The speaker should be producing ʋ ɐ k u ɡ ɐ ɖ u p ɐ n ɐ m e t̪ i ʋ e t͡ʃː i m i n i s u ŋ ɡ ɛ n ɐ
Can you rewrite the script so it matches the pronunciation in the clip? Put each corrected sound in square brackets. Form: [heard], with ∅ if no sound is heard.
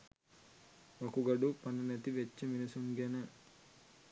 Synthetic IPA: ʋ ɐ k u ɡ ɐ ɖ u p ɐ n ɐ [n] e t̪ i ʋ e t͡ʃː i m i n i s u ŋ ɡ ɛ n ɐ